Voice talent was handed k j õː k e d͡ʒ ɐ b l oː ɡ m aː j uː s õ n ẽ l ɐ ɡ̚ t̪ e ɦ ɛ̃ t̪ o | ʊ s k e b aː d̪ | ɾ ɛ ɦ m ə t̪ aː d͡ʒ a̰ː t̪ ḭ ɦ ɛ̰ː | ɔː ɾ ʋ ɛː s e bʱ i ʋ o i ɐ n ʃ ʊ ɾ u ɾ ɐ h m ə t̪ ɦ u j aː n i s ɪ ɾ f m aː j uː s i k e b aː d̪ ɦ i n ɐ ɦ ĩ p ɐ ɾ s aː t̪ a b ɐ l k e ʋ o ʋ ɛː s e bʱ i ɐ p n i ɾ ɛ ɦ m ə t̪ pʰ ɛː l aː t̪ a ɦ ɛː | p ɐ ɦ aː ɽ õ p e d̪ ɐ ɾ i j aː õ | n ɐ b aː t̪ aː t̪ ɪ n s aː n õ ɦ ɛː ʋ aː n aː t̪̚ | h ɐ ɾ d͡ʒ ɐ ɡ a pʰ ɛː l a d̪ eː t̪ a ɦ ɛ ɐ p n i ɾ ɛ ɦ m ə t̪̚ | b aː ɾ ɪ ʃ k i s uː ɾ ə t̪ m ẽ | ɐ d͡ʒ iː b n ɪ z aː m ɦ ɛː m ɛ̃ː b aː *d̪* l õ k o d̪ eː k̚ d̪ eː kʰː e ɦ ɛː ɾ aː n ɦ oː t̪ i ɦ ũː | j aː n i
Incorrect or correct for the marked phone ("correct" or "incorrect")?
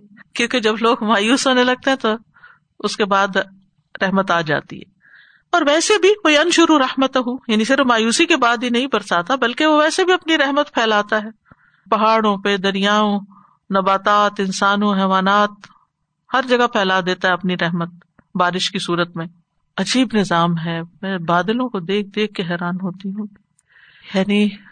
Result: correct